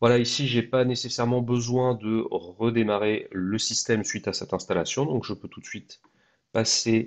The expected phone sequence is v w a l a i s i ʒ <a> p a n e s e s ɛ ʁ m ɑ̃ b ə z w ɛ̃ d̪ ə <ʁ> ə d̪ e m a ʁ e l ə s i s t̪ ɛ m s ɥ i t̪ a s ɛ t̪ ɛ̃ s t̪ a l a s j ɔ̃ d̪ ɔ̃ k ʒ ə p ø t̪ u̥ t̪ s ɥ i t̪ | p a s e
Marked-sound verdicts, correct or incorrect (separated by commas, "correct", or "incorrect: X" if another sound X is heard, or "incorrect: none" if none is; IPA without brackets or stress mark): incorrect: e, correct